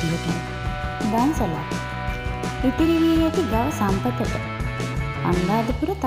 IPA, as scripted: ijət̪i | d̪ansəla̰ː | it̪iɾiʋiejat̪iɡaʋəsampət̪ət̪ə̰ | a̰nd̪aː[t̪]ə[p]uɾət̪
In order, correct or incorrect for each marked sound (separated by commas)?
incorrect, correct